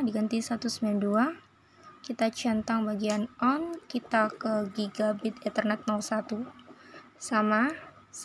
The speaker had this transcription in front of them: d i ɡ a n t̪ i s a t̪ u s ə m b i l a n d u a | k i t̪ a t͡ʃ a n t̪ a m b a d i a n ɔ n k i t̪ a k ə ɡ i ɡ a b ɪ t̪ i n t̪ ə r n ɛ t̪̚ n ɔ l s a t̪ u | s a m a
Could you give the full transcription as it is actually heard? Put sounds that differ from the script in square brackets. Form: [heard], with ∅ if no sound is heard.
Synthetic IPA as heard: d i ɡ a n t̪ i s a t̪ u s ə m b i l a n d u a | k i t̪ a t͡ʃ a n t̪ a [ŋ] b a [ɡ] i a n ɔ n k i t̪ a k ə ɡ i ɡ a b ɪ t̪ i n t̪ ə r n ɛ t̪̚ n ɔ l s a t̪ u | s a m a

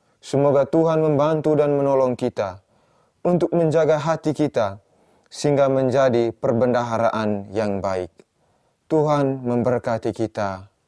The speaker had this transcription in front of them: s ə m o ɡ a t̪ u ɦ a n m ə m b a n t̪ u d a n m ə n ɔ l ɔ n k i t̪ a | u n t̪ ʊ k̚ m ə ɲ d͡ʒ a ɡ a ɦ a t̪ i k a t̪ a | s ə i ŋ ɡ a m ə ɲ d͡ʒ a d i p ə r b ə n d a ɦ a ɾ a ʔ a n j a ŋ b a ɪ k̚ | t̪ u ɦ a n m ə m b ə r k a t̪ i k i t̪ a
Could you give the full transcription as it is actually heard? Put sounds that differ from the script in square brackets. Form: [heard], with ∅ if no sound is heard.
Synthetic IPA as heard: s ə m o ɡ a t̪ u ɦ a n m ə m b a n t̪ u d a n m ə n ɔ l ɔ [ŋ] k i t̪ a | u n t̪ ʊ k̚ m ə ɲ d͡ʒ a ɡ a ɦ a t̪ i k [i] t̪ a | s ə i ŋ ɡ a m ə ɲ d͡ʒ a d i p ə r b ə n d a ɦ a ɾ a ʔ a n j a ŋ b a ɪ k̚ | t̪ u ɦ a n m ə m b ə r k a t̪ i k i t̪ a

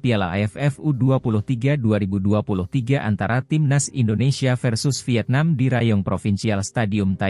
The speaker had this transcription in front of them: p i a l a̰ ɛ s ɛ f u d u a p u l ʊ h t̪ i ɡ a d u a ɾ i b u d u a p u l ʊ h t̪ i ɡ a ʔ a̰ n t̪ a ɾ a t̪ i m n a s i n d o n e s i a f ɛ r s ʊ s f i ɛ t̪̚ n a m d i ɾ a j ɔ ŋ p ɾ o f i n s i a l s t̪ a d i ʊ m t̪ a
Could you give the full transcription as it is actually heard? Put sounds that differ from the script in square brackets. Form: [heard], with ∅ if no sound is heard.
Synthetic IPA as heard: p i a l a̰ ɛ [f] ɛ f u d u a p u l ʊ h t̪ i ɡ a d u a ɾ i b u d u a p u l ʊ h t̪ i ɡ a ʔ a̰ n t̪ a ɾ a t̪ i m n a s i n d o n e s i a f ɛ r s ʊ s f i ɛ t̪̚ n a m d i ɾ a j ɔ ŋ p ɾ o f i n s i a l s t̪ a d i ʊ m t̪ a

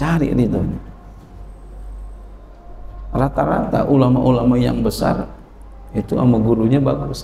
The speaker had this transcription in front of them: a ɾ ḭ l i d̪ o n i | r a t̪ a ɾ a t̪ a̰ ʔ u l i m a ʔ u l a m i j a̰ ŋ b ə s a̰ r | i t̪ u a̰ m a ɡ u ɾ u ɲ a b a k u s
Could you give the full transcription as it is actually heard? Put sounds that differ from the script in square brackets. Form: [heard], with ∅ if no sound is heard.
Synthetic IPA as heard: a ɾ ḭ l i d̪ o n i | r a t̪ a ɾ a t̪ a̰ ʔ u l [a] m a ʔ u l a m [a] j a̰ ŋ b ə s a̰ r | i t̪ u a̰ m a ɡ u ɾ u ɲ a b a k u s

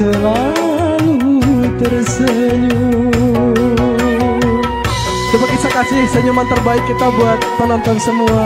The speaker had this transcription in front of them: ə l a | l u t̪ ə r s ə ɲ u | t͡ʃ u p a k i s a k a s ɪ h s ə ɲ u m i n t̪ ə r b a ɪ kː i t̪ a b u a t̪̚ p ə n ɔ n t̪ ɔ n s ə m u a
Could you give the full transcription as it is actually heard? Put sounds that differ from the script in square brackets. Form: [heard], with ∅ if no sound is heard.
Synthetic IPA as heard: ə l a | l u t̪ ə r s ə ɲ u | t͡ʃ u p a k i s a k a s ɪ h s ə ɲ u m [a] n t̪ ə r b a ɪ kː i t̪ a b u a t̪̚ p ə n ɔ n t̪ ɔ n s ə m u a

